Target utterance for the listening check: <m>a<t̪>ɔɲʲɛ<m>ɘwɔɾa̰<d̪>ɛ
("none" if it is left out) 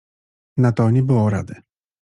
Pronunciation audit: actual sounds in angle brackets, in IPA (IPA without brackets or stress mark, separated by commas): n, t̪, b, d̪